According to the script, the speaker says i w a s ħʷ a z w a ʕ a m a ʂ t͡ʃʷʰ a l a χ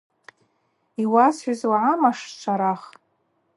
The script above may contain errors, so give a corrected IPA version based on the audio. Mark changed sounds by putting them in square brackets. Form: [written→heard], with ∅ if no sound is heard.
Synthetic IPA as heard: i w a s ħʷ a z w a ʕ a m a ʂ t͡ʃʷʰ a [l→ɾ] a χ